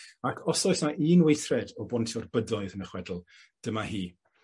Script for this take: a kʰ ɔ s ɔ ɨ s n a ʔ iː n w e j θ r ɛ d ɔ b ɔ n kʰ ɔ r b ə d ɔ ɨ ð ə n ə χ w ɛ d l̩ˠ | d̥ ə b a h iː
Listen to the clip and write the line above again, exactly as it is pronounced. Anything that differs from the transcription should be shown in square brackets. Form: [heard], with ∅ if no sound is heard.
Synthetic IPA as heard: a kʰ ɔ s ɔ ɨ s n a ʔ iː n w e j θ r ɛ d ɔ b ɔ n [tʰ] ɔ r b ə d ɔ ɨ ð ə n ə χ w ɛ d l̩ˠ | d̥ ə [m] a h iː